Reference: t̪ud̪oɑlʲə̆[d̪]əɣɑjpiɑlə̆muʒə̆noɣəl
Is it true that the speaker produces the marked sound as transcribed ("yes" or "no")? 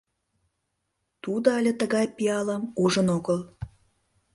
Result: no